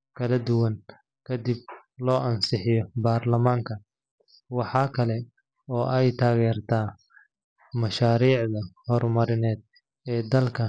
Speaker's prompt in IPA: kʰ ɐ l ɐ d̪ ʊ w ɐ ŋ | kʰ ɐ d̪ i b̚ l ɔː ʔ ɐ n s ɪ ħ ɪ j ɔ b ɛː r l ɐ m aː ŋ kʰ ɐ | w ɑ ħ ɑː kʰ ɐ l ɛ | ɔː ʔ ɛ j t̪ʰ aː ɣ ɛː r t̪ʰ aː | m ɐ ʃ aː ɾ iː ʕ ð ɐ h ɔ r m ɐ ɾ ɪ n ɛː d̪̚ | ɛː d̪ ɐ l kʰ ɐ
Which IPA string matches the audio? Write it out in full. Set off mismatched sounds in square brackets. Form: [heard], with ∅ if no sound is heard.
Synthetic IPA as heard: kʰ ɐ l ɐ d̪ ʊ w ɐ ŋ | kʰ ɐ d̪ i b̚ l ɔː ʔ ɐ n s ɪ ħ ɪ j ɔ b [aː] r l ɐ m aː ŋ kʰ ɐ | w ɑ ħ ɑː kʰ ɐ l ɛ | ɔː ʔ ɛ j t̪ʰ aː ɣ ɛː r t̪ʰ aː | m ɐ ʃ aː ɾ iː ʕ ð ɐ h ɔ r m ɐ ɾ ɪ n ɛː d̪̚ | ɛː d̪ ɐ l kʰ ɐ